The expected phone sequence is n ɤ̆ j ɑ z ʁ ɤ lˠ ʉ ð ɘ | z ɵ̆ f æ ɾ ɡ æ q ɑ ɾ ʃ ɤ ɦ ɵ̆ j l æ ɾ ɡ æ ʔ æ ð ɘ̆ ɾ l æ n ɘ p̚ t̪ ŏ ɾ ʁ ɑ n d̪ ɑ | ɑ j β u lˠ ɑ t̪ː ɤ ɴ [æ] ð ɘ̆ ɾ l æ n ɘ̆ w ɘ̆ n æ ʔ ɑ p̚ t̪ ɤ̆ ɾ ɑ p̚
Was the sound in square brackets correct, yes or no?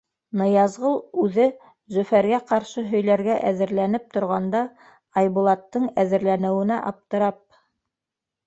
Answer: yes